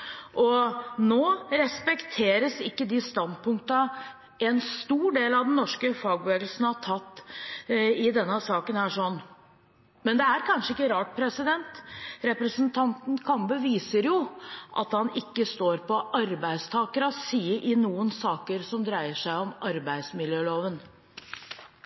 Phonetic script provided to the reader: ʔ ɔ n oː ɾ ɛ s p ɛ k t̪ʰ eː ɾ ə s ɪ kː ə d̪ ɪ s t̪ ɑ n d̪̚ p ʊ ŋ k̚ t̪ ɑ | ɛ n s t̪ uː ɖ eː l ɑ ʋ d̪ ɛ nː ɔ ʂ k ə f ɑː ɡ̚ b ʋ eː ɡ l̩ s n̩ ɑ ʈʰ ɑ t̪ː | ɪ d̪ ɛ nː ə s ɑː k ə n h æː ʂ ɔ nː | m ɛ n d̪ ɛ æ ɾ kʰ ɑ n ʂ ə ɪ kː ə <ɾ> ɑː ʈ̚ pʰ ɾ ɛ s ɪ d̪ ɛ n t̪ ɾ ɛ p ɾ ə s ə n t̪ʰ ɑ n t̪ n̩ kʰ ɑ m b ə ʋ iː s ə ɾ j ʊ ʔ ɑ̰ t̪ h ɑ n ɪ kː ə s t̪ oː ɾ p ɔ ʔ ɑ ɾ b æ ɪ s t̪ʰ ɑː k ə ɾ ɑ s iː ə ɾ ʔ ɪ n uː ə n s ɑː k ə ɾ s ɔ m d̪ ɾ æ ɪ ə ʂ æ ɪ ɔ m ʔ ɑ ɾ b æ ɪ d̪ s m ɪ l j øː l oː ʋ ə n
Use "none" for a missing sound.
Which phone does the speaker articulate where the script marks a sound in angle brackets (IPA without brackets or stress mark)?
ɾ